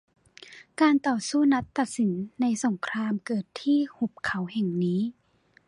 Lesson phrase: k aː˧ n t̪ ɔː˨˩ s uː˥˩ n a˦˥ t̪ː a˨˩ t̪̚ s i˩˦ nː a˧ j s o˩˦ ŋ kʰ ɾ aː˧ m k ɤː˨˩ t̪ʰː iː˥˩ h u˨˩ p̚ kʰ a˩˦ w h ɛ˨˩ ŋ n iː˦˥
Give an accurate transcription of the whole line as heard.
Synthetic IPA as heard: k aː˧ n t̪ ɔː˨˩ s uː˥˩ n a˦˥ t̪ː a˨˩ t̪̚ s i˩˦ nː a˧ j s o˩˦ ŋ kʰ ɾ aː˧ m k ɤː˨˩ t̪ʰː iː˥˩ h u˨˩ p̚ kʰ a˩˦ w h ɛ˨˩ ŋ n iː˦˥